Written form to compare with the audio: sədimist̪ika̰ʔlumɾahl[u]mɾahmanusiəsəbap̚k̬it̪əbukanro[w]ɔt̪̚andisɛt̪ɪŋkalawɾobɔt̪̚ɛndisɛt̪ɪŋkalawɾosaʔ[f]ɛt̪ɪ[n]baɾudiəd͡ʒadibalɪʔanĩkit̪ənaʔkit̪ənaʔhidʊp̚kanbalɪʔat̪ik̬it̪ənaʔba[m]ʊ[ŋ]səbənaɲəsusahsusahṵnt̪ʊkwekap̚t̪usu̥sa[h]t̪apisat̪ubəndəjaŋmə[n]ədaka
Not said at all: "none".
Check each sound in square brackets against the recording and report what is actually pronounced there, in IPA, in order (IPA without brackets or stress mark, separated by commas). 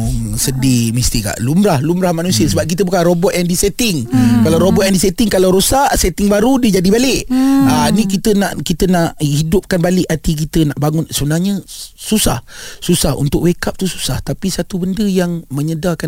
u, b, s, ŋ, ŋ, n, h, ɲ